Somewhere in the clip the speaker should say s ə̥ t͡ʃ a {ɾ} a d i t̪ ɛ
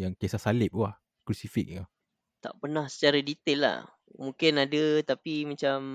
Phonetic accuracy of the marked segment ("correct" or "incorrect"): correct